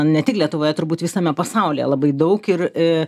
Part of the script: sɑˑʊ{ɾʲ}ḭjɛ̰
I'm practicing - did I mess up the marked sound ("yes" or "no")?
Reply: yes